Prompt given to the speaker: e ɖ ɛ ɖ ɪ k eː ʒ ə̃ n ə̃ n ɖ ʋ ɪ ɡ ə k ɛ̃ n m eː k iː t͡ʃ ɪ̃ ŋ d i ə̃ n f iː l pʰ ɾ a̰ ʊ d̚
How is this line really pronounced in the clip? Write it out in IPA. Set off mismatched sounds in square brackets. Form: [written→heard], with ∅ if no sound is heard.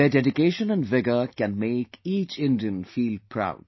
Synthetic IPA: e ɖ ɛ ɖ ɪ k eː [ʒ→ʃ] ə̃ n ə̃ n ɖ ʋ ɪ ɡ ə k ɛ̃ n m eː k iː t͡ʃ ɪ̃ [ŋ→n] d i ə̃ n f iː l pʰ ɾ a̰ ʊ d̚

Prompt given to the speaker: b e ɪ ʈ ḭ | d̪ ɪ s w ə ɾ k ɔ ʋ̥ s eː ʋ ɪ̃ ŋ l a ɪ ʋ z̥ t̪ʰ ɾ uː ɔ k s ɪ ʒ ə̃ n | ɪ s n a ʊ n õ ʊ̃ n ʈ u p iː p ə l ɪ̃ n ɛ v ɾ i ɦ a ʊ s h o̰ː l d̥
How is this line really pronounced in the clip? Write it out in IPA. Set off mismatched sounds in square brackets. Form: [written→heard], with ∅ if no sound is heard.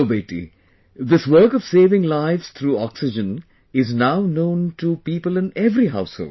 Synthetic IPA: b e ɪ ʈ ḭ | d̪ ɪ s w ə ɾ k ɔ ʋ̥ s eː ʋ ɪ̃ ŋ l a ɪ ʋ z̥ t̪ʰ ɾ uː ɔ k s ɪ [ʒ→d͡ʒ] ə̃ n | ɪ [s→z] n a ʊ n õ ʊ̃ n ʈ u p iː p ə l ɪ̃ n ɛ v ɾ i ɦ a ʊ s h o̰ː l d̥

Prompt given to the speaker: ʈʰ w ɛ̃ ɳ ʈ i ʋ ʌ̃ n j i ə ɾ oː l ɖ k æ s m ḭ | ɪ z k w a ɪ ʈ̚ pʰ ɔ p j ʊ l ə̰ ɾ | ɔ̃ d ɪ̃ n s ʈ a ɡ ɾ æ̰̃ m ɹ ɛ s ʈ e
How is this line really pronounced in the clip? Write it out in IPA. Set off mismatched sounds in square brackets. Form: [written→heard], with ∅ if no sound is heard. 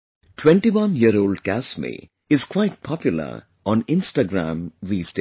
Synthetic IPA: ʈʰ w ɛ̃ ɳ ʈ i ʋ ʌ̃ n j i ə ɾ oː l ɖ k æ s m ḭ | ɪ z k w a ɪ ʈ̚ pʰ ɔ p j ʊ l ə̰ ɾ | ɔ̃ [d→n] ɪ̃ n s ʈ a ɡ ɾ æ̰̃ m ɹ [ɛ→i] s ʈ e

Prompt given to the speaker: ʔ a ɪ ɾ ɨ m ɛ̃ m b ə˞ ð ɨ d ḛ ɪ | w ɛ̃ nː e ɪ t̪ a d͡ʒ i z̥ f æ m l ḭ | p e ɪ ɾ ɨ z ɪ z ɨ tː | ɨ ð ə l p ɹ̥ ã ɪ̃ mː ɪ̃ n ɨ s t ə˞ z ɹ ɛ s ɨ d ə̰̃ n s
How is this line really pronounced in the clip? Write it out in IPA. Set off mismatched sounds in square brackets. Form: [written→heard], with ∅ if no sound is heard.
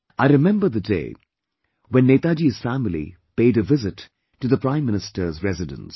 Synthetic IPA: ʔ a ɪ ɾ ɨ m ɛ̃ m b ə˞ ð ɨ d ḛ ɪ | w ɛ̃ nː e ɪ t̪ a d͡ʒ i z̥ f æ m l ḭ | p e ɪ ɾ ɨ [z→v] ɪ z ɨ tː | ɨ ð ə [l→∅] p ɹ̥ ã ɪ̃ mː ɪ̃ n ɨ s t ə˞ z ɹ ɛ [s→z] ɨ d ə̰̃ n s

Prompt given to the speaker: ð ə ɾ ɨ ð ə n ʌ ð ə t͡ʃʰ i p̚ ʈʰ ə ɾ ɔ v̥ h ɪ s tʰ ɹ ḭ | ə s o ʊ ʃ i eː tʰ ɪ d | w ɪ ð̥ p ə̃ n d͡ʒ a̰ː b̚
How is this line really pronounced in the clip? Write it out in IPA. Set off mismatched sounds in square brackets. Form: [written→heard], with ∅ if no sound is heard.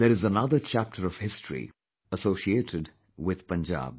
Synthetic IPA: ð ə ɾ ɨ [ð→z] ə n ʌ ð ə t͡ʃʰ [i→æ] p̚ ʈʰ ə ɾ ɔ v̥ h ɪ s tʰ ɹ ḭ | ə s o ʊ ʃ i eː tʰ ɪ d | w ɪ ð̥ p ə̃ n d͡ʒ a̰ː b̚

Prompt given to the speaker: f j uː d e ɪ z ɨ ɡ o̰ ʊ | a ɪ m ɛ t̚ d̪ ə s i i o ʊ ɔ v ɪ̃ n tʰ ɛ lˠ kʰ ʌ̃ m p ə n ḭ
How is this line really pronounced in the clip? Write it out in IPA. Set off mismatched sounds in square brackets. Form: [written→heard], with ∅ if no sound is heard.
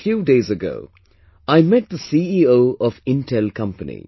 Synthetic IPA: f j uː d e ɪ z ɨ ɡ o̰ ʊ | a ɪ m ɛ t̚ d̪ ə s i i o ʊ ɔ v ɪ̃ n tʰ ɛ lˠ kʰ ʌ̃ m p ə n ḭ

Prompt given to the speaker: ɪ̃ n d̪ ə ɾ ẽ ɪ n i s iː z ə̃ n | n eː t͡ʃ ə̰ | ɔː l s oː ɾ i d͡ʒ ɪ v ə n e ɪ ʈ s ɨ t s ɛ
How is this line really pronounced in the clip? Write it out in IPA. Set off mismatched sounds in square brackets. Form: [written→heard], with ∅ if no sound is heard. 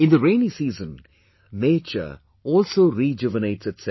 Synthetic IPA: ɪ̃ n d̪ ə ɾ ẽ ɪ n i s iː z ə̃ n | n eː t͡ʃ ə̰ | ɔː l s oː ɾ i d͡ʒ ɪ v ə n e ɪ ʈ s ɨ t s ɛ

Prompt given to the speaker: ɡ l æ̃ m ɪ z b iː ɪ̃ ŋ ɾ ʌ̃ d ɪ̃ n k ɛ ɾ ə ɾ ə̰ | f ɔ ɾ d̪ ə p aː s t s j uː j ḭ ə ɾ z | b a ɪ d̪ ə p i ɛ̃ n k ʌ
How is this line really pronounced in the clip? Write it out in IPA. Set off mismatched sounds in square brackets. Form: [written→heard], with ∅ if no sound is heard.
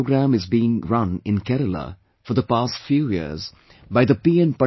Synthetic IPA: ɡ [l→ɾ] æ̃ m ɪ z b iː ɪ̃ ŋ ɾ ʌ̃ [d→n] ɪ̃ n k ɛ ɾ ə [ɾ→l] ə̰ | f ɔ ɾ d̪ ə p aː s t [s→f] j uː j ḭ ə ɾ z | b a ɪ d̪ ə p i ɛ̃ n [k→p] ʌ

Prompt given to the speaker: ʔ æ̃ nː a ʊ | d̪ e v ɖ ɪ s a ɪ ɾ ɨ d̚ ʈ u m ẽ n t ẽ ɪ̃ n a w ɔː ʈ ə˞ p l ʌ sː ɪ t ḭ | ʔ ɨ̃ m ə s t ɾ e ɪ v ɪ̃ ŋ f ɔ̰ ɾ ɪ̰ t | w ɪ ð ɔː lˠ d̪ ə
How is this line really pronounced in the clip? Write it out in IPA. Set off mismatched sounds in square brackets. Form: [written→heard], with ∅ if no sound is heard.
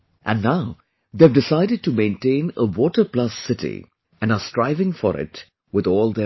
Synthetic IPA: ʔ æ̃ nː a ʊ | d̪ e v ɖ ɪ s a ɪ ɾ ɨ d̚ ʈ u m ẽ n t ẽ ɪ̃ n [a→ə] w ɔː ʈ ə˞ p l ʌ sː ɪ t ḭ | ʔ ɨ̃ [m→n] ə s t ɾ [e→a] ɪ v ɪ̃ ŋ f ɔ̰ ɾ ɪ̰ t | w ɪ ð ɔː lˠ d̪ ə

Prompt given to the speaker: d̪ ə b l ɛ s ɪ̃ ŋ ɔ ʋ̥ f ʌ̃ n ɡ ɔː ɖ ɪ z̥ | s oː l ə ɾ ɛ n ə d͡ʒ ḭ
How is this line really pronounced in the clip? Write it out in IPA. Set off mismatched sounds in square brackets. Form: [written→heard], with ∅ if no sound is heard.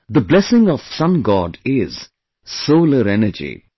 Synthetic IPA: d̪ ə b l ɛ s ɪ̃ ŋ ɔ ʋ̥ [f→s] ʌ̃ n ɡ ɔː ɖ ɪ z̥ | s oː l ə ɾ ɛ n ə d͡ʒ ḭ

